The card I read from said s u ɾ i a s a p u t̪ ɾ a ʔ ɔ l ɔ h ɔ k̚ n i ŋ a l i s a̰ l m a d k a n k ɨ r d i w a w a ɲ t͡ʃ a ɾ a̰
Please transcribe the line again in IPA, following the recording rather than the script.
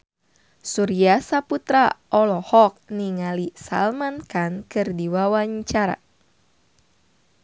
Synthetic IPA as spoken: s u ɾ i a s a p u t̪ ɾ a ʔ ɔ l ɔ h ɔ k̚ n i ŋ a l i s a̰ l m a n k a n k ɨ r d i w a w a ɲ t͡ʃ a ɾ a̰